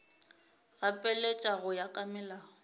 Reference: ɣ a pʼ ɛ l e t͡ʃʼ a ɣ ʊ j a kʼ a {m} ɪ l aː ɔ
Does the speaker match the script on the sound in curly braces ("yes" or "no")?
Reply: yes